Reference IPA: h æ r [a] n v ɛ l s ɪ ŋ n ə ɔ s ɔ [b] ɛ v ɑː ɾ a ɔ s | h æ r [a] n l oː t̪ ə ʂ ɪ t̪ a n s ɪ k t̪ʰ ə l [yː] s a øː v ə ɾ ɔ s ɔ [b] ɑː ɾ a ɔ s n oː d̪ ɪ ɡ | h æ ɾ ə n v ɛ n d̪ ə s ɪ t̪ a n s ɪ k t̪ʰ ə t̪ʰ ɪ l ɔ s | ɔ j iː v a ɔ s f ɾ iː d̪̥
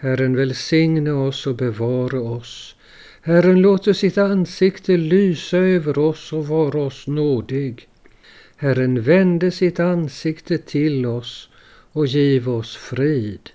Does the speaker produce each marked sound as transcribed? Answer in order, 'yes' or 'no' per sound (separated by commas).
no, yes, no, yes, no